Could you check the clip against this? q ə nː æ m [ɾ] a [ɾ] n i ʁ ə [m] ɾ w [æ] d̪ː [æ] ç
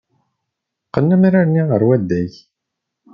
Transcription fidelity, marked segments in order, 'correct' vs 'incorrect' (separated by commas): correct, correct, incorrect, correct, correct